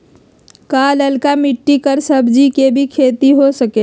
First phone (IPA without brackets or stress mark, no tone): k